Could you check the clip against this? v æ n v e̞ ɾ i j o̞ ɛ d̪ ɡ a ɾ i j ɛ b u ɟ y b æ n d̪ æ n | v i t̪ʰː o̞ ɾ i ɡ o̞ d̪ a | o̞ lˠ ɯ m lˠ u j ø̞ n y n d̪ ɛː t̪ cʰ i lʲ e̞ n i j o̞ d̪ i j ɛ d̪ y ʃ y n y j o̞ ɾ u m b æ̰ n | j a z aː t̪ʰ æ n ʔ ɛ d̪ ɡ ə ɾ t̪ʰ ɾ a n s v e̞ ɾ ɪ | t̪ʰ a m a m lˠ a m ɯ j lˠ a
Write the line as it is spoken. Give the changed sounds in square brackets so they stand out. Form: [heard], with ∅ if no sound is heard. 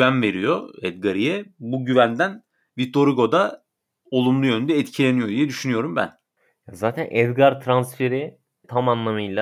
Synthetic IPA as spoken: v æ n v e̞ ɾ i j o̞ ɛ d̪ ɡ a ɾ i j ɛ b u ɟ y [v] æ n d̪ æ n | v i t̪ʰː o̞ ɾ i ɡ o̞ d̪ a | o̞ lˠ [u] m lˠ u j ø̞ n y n d̪ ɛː t̪ cʰ i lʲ e̞ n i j o̞ d̪ i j ɛ d̪ y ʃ y n y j o̞ ɾ u m b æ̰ n | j a z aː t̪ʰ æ n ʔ ɛ d̪ ɡ [a] ɾ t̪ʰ ɾ a n s [f] e̞ ɾ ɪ | t̪ʰ a m a [n] lˠ a m ɯ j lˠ a